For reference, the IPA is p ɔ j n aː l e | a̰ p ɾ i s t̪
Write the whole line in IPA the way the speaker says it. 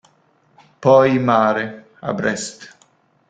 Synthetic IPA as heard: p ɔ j m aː ɾ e | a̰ b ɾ ɛ s t̪